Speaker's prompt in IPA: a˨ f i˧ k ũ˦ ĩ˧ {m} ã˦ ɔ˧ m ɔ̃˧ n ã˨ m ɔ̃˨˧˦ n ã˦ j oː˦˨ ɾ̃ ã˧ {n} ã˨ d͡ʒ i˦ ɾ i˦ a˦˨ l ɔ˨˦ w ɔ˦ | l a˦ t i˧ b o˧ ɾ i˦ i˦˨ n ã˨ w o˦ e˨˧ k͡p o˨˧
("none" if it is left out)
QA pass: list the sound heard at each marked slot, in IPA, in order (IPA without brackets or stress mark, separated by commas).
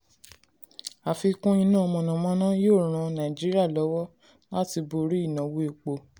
n, n